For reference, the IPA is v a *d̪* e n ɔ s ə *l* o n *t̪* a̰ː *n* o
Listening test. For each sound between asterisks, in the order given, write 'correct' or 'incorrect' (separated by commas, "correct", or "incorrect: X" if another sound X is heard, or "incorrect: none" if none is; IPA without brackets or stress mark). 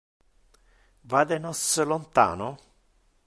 correct, correct, correct, correct